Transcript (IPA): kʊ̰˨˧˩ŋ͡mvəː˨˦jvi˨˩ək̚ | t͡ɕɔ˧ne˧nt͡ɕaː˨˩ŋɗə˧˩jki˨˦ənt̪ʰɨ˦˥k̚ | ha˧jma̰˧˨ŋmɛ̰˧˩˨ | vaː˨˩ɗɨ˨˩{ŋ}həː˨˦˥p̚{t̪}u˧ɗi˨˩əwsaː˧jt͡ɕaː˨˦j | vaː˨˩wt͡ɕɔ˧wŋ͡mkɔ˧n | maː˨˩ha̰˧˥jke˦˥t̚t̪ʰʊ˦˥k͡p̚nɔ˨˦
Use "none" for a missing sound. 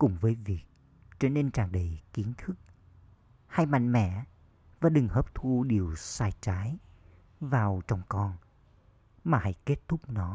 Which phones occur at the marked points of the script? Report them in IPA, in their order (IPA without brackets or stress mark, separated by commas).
ŋ, t̪ʰ